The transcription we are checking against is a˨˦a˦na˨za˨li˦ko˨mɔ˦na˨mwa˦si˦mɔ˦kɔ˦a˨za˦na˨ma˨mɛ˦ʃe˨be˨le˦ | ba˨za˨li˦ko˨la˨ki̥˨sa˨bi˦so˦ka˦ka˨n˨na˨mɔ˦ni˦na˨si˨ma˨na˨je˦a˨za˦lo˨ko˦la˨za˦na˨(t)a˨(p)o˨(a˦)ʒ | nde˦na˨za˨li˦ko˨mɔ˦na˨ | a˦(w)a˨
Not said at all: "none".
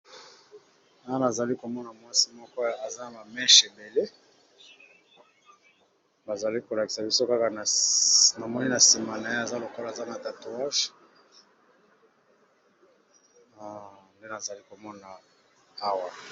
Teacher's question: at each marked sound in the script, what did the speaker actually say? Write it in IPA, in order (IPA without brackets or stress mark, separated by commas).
t, t, a˦, w